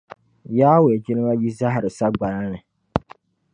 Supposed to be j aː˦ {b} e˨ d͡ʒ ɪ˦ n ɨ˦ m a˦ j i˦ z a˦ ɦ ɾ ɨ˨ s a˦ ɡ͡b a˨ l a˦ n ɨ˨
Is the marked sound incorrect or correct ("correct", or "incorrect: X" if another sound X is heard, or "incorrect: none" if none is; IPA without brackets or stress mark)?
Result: incorrect: w